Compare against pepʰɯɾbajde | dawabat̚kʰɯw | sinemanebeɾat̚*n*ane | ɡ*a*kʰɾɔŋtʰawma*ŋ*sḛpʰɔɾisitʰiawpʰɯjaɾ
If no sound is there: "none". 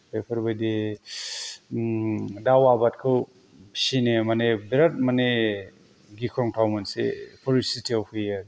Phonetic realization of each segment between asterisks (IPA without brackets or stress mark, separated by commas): m, i, n